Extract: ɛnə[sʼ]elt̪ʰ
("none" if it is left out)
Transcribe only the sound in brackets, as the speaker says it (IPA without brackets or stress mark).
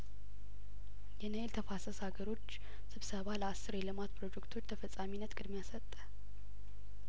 none